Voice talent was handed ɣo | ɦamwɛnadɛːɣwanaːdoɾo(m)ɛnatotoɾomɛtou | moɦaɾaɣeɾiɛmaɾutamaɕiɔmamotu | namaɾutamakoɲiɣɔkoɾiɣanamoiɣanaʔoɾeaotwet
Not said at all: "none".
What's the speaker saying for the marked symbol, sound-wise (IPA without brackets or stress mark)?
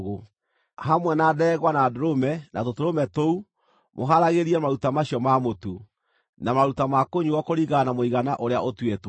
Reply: m